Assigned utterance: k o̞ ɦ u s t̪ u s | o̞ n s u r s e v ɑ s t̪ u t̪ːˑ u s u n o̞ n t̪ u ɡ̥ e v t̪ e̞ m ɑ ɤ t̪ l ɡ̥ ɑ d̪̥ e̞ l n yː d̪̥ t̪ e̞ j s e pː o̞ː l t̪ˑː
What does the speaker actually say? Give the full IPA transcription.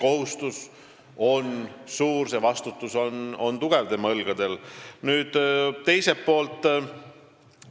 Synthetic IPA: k o̞ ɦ u s t̪ u s | o̞ n s uː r s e v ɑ s t̪ u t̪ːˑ u s o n o̞ n t̪ u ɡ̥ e v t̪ e̞ m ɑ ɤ l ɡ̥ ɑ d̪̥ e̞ l n yː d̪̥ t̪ e̞ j s e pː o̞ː l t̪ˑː